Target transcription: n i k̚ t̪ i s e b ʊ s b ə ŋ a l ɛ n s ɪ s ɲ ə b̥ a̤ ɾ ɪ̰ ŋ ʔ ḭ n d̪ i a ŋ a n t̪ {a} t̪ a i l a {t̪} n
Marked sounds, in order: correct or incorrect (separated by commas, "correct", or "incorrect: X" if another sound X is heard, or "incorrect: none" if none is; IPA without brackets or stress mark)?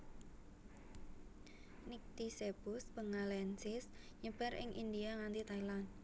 incorrect: i, incorrect: none